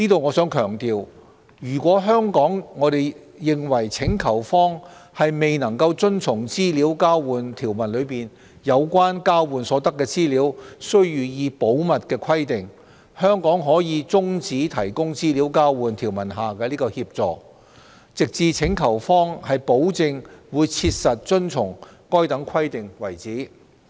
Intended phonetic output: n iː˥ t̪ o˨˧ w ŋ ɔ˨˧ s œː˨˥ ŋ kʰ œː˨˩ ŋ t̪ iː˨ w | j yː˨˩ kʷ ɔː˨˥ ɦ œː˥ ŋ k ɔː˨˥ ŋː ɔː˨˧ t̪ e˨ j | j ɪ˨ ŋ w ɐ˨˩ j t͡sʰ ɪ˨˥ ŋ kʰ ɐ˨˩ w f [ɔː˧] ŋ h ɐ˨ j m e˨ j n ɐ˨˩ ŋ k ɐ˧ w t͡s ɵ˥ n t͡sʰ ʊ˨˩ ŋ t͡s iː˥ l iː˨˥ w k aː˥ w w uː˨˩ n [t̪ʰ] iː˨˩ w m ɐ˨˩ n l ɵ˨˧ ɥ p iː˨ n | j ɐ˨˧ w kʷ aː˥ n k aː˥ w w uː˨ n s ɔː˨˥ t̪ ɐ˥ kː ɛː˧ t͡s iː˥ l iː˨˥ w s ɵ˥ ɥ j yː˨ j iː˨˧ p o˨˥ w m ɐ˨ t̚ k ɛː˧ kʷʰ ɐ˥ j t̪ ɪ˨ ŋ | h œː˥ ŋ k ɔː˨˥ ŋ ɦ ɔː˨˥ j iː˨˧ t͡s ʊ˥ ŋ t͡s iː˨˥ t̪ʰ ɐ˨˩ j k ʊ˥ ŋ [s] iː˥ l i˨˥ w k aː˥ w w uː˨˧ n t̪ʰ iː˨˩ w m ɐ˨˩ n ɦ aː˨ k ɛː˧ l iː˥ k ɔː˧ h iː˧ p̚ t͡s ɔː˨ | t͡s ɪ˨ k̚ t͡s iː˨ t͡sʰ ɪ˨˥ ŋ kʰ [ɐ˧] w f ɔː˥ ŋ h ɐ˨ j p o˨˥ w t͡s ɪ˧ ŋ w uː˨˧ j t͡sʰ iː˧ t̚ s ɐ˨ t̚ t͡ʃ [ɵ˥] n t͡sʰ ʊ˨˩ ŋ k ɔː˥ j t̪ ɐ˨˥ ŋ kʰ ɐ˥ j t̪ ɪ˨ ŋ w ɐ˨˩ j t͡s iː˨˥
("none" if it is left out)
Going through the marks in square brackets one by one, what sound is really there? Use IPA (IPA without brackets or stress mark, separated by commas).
ɔː˥, t̪ʰ, t͡s, ɐ˨˩, ɵ˥